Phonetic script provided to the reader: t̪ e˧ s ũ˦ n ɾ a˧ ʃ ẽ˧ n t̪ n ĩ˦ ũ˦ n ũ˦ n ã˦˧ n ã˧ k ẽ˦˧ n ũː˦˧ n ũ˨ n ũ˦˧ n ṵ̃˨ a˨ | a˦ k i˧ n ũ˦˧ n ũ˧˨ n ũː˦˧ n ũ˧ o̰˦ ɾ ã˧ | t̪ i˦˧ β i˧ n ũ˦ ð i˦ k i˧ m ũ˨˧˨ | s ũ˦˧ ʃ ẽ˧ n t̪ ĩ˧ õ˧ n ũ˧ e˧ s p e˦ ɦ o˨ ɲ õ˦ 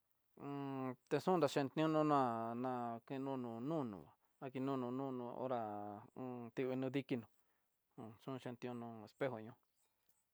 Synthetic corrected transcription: t̪ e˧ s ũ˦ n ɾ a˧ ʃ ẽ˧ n t̪ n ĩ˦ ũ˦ n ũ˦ n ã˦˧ n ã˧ k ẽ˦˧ n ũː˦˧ n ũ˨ n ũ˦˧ n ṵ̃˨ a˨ | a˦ k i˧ n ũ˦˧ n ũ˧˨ n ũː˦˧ n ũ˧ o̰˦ ɾ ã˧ | t̪ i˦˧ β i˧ n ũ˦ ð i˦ k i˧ n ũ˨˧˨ | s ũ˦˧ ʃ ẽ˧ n t̪ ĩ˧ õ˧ n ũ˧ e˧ s p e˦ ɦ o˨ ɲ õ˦